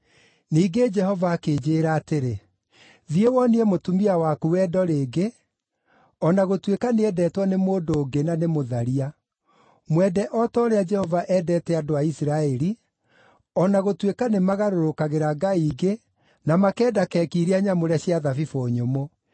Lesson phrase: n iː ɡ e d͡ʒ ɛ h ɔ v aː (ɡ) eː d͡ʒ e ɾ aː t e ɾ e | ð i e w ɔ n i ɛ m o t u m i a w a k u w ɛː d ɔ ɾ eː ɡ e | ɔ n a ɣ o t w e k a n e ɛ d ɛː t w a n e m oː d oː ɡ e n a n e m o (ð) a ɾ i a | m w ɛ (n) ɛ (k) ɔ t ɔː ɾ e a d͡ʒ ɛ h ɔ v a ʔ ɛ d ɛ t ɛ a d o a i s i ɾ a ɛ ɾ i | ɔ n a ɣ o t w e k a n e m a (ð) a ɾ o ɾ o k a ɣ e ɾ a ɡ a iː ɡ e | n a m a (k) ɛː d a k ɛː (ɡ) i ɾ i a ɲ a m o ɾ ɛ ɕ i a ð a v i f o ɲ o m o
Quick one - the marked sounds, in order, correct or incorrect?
incorrect: k, correct, incorrect: d, incorrect: ʔ, incorrect: ɣ, correct, incorrect: k

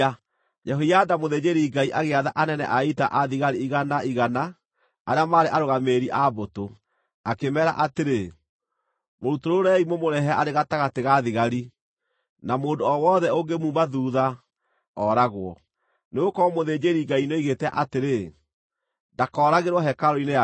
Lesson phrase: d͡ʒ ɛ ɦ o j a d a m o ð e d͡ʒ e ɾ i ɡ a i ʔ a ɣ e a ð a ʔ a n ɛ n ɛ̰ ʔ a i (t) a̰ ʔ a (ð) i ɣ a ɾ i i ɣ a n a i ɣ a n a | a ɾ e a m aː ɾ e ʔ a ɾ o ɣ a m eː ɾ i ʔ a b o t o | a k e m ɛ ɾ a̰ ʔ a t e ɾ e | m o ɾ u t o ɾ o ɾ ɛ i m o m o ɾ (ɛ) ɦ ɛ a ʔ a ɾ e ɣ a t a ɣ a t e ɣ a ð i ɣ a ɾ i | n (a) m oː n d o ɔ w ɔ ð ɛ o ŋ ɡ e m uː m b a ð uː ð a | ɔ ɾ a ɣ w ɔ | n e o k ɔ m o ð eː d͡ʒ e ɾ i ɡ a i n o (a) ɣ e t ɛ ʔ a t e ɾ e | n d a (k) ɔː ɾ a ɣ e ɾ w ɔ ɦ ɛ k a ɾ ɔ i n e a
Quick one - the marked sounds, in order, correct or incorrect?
correct, correct, correct, correct, incorrect: i, correct

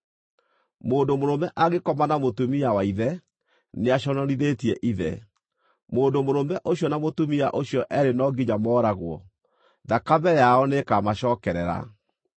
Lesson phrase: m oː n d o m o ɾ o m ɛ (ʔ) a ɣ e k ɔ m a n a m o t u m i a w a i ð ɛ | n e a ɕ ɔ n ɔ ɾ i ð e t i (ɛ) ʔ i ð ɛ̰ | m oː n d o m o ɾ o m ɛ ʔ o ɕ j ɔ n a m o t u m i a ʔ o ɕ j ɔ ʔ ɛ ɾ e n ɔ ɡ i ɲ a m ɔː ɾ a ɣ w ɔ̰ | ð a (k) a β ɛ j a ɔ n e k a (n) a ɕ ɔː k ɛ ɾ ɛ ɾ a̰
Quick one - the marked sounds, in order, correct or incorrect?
correct, correct, correct, incorrect: m

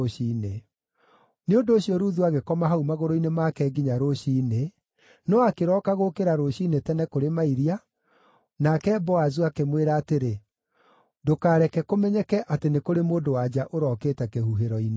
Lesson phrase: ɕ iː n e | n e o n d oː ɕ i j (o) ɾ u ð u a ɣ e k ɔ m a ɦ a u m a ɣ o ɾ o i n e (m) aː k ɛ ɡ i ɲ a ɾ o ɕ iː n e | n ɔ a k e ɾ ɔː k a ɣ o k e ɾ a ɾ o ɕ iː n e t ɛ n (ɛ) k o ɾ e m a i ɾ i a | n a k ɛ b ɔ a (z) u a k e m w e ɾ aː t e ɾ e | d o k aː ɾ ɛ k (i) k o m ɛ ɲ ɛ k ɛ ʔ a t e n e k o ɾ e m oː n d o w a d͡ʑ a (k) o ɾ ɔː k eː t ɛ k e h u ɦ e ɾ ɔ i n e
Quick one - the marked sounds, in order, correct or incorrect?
incorrect: ɔ, correct, correct, correct, incorrect: ɛ, incorrect: ʔ

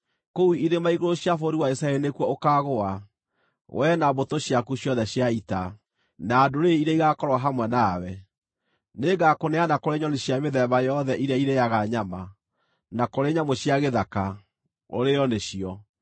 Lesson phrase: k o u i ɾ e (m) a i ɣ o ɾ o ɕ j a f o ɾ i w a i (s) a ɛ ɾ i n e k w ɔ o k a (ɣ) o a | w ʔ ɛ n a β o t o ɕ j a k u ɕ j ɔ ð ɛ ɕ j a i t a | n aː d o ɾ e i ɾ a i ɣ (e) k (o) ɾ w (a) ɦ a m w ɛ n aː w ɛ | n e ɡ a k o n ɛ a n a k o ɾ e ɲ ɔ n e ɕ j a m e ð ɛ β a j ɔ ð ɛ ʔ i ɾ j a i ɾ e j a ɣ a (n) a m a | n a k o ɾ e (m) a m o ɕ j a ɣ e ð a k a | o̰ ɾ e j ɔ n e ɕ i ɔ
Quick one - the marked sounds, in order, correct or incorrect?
correct, correct, correct, incorrect: a, incorrect: ɔ, correct, incorrect: ɲ, incorrect: ɲ

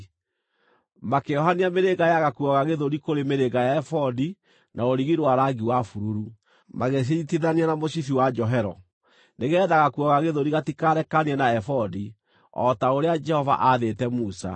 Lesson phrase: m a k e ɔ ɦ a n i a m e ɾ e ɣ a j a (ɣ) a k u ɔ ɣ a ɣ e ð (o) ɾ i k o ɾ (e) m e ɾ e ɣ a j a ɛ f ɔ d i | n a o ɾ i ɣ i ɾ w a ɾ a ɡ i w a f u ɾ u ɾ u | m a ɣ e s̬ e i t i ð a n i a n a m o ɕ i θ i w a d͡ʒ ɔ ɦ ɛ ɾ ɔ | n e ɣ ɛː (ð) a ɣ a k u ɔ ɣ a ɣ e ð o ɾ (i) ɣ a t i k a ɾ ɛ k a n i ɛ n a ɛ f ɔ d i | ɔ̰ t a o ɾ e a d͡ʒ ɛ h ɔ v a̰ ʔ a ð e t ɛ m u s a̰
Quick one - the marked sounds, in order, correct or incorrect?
correct, correct, correct, correct, correct

